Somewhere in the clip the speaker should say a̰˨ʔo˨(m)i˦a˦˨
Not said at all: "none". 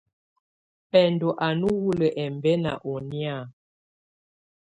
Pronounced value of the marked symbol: n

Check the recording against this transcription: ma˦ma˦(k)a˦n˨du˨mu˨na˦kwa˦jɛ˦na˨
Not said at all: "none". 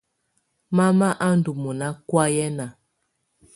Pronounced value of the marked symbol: ʔ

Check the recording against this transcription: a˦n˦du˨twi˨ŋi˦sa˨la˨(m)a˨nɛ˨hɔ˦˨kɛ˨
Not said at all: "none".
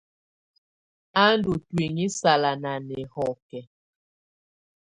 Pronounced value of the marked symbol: n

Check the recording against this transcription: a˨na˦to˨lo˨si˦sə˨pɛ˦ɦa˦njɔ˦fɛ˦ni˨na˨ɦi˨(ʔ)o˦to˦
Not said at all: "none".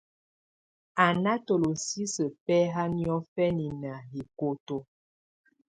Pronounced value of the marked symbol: k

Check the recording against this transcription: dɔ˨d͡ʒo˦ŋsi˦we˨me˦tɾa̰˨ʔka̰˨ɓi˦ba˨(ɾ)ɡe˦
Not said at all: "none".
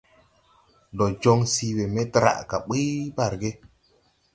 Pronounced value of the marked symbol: ɾ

